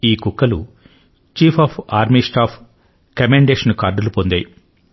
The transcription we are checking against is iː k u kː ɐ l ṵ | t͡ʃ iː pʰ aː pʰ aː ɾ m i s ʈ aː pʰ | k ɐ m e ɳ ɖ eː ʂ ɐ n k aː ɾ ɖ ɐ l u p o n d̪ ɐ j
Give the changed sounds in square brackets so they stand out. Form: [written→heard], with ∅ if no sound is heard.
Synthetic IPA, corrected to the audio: iː k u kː ɐ l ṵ | t͡ʃ iː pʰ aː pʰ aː ɾ m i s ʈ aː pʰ | k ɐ m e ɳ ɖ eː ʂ ɐ n k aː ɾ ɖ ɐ l u p o n d̪ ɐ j